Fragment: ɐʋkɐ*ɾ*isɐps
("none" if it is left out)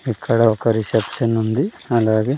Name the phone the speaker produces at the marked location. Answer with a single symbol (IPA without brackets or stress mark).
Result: ɾ